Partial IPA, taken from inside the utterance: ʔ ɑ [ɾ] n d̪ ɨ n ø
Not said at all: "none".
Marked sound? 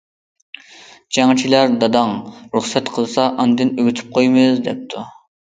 none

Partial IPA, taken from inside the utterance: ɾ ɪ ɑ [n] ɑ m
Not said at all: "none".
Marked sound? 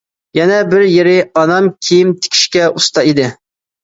n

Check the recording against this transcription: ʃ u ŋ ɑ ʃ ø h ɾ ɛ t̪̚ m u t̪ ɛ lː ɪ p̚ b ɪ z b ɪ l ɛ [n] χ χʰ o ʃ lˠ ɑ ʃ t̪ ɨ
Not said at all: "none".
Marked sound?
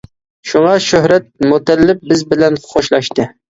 n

